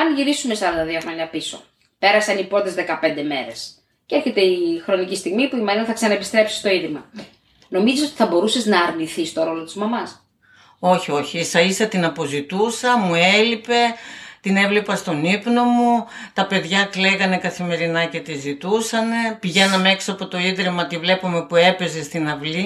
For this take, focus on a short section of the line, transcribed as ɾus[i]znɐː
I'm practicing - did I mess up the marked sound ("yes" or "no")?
yes